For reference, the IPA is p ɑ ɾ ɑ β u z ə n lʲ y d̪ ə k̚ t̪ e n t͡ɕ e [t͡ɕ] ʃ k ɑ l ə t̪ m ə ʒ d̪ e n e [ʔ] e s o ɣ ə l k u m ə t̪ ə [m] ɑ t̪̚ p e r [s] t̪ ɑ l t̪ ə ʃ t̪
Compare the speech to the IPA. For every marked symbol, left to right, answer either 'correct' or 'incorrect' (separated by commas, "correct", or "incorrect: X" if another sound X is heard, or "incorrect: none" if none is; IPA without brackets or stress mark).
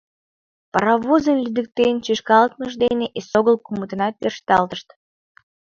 incorrect: none, correct, incorrect: n, incorrect: ʃ